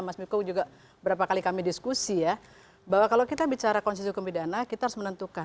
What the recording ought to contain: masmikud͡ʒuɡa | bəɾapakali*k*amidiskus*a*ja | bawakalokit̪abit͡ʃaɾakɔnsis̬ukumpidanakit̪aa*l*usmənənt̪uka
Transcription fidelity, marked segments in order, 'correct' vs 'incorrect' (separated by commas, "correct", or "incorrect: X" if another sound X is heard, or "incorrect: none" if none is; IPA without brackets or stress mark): correct, incorrect: i, incorrect: ɾ